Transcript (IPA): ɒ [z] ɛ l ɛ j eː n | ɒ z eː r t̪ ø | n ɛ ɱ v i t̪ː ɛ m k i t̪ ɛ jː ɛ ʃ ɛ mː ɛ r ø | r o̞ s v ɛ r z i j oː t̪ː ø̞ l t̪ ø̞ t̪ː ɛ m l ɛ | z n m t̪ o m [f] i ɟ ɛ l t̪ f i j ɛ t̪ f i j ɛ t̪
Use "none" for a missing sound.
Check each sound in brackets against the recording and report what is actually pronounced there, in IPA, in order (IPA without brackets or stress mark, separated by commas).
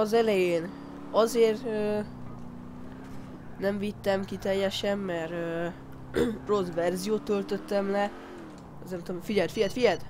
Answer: z, f